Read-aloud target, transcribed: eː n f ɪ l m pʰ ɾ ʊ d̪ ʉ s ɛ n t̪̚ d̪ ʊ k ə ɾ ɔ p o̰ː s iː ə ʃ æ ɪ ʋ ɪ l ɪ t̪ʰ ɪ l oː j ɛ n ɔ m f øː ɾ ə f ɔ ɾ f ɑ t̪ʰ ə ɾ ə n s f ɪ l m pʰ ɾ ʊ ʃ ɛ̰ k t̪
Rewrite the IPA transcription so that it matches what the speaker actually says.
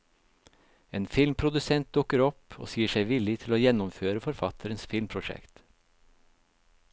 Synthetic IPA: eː n f ɪ l m pʰ ɾ ʊ d̪ ʉ s ɛ n t̪̚ d̪ ʊ k ə ɾ ɔ p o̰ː s iː ə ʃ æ ɪ ʋ ɪ l ɪ t̪ʰ ɪ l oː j ɛ n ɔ m f øː ɾ ə f ɔ ɾ f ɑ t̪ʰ ə ɾ ə n s f ɪ l m pʰ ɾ ʊ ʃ ɛ̰ k t̪